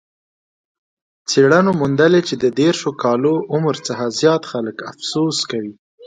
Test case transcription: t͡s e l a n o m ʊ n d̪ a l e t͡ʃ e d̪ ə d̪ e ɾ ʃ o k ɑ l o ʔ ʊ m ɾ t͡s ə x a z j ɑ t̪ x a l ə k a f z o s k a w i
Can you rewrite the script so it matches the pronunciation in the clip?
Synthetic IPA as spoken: t͡s e ɽ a n o m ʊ n d̪ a l e t͡ʃ e d̪ ə d̪ e ɾ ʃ o k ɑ l o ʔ ʊ m ɾ t͡s ə x a z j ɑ t̪ x a l ə k a f s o s k a w i